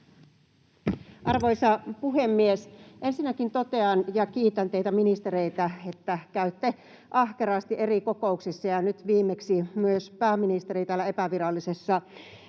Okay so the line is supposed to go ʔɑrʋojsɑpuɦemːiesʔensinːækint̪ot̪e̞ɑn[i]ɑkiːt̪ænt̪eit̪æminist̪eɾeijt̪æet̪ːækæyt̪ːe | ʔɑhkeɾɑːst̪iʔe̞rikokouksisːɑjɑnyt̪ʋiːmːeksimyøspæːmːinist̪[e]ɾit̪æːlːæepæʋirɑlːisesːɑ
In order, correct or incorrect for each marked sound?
incorrect: j, correct

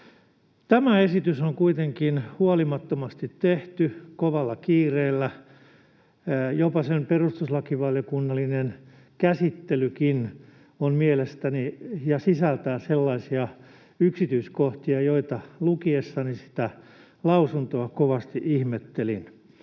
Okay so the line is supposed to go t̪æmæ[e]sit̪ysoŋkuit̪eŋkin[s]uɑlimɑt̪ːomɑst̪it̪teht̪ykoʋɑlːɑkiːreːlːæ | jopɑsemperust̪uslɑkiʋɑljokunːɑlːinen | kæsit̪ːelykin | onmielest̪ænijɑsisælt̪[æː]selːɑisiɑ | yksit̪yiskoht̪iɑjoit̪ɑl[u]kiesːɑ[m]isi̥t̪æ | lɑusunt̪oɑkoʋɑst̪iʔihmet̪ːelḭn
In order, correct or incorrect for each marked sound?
correct, incorrect: h, correct, correct, incorrect: n

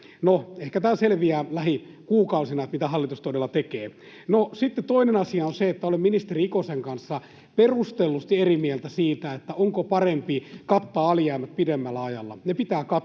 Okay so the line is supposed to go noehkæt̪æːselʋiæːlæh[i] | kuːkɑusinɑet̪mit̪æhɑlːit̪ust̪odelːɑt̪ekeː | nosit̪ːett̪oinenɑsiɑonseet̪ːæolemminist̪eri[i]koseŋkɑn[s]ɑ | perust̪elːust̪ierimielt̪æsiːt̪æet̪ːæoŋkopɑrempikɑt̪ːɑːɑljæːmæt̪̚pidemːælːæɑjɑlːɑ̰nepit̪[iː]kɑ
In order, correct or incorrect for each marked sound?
correct, correct, incorrect: sː, incorrect: æː

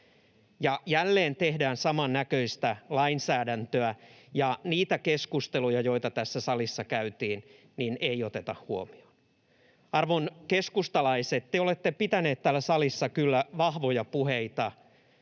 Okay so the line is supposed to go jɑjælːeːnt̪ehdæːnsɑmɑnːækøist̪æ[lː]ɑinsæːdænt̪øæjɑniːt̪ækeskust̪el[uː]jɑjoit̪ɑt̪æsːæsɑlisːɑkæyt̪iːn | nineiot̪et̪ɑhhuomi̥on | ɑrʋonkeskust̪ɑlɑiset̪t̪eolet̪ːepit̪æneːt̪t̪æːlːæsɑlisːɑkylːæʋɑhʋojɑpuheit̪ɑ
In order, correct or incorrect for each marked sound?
incorrect: l, incorrect: u

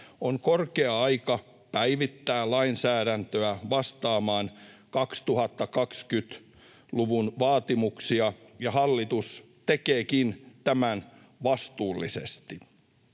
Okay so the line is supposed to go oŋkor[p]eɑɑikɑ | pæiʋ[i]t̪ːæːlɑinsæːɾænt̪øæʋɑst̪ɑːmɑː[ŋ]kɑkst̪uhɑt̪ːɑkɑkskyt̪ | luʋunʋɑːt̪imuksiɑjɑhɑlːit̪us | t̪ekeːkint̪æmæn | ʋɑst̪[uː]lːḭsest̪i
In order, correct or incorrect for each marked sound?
incorrect: k, correct, incorrect: n, correct

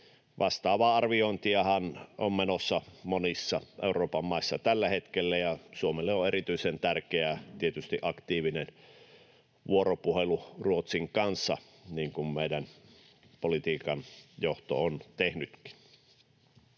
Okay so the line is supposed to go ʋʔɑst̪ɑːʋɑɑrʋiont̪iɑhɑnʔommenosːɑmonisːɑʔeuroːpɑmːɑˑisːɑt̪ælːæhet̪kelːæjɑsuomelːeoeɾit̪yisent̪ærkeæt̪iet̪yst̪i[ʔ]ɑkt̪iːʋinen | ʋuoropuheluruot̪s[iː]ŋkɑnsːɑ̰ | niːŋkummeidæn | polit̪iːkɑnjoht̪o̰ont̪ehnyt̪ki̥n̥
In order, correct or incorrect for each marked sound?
correct, incorrect: i

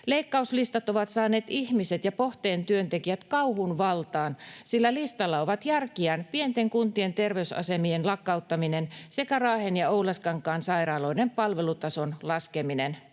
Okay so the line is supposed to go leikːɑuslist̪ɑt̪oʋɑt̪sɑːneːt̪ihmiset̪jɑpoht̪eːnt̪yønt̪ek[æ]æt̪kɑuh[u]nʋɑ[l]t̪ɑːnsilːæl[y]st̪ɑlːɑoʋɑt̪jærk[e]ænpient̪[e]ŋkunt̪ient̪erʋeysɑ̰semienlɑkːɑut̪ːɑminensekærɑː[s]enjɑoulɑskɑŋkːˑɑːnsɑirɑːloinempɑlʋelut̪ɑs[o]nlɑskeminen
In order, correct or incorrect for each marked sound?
incorrect: i, correct, correct, incorrect: i, incorrect: i, correct, incorrect: h, correct

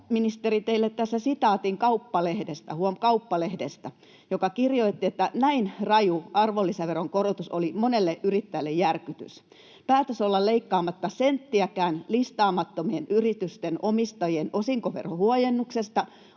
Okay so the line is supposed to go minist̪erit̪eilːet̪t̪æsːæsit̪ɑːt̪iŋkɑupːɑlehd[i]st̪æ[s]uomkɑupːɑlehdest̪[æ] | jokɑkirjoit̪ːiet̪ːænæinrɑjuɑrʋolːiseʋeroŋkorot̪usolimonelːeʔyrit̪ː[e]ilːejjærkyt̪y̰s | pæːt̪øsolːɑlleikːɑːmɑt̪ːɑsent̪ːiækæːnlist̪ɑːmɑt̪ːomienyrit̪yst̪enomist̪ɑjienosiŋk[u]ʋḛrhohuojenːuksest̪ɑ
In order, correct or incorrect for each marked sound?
incorrect: e, incorrect: h, correct, incorrect: æ, incorrect: o

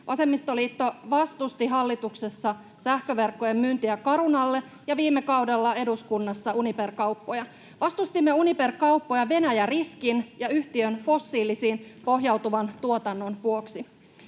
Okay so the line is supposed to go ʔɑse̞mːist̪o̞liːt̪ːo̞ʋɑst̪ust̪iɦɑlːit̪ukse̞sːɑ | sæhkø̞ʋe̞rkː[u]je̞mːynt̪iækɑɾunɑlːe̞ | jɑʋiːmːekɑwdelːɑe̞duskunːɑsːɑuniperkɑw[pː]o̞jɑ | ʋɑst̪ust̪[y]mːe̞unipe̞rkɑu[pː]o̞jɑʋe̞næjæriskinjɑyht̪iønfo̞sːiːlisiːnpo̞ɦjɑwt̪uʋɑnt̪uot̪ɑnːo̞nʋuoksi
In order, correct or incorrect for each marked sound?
incorrect: o, correct, incorrect: i, correct

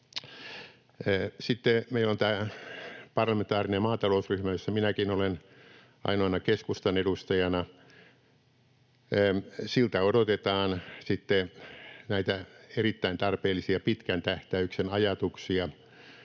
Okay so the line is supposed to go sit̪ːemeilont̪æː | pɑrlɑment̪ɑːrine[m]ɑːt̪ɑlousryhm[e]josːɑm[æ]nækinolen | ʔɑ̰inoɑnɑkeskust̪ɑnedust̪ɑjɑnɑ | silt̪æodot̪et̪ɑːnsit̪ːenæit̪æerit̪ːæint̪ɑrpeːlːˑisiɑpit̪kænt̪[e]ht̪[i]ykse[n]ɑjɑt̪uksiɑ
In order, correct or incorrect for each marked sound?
correct, incorrect: æ, incorrect: i, incorrect: æ, incorrect: æ, correct

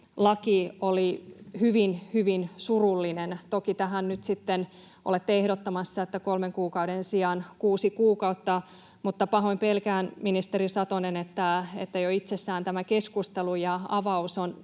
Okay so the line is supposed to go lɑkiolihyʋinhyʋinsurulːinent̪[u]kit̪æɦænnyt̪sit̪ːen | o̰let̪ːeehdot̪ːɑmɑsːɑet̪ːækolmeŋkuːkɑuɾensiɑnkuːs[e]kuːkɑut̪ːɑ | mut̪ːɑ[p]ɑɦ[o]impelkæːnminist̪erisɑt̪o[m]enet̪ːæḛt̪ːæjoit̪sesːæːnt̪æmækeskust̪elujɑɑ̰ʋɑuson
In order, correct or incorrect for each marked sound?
incorrect: o, incorrect: i, correct, correct, incorrect: n

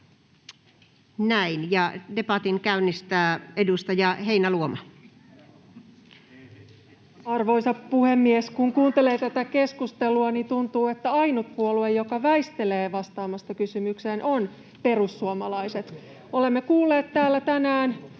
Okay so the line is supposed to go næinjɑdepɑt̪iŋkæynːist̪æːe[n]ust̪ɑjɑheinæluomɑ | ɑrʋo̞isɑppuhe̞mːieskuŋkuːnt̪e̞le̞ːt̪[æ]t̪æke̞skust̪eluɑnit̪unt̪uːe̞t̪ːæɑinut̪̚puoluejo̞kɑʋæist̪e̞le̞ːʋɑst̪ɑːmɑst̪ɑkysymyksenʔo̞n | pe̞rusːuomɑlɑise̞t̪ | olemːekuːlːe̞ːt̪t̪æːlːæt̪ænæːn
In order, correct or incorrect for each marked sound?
incorrect: d, correct

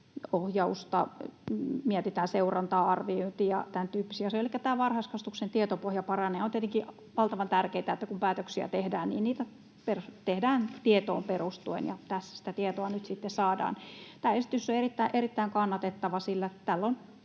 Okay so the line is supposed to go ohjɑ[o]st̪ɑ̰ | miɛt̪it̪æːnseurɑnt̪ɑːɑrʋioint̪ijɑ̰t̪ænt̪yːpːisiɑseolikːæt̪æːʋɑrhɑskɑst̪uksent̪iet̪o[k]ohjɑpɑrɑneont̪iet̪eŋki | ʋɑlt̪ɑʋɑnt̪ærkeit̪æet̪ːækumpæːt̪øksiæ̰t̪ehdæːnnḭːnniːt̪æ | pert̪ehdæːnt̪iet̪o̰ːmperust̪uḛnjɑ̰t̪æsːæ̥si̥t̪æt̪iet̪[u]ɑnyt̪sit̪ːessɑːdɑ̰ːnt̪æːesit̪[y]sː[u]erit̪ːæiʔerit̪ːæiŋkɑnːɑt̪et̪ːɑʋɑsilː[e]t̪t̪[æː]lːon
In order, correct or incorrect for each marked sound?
incorrect: u, incorrect: p, incorrect: o, correct, incorrect: o, incorrect: æ, incorrect: æ

